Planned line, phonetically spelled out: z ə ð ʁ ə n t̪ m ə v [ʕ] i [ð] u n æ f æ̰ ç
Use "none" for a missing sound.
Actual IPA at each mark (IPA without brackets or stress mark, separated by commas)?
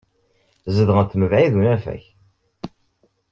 ʕ, ð